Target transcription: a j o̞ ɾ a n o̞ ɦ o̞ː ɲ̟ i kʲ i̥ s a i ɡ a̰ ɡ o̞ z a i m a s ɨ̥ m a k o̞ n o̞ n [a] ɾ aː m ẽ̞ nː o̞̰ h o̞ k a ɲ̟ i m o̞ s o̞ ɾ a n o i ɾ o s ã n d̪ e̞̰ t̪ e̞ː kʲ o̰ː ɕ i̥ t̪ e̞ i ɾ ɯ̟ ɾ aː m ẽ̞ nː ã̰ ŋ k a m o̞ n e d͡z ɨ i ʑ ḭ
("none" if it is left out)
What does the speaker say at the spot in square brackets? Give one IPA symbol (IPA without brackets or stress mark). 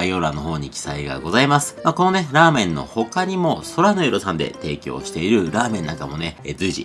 e